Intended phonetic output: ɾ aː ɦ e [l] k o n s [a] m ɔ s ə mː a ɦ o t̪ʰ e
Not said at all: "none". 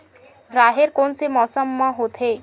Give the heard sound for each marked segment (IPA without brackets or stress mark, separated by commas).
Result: ɾ, e